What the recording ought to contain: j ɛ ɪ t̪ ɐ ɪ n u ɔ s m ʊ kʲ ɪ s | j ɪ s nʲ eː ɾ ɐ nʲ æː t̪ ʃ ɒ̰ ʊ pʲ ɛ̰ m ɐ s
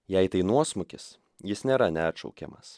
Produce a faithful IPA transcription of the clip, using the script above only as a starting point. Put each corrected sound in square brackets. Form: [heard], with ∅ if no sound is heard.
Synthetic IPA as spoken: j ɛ ɪ t̪ ɐ ɪ n u ɔ s m ʊ kʲ ɪ s | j ɪ s nʲ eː ɾ ɐ nʲ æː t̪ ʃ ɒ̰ ʊ [kʲ] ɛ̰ m ɐ s